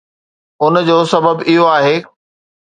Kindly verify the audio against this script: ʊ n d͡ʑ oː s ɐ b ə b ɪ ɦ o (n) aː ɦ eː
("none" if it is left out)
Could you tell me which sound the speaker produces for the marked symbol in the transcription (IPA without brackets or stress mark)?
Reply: none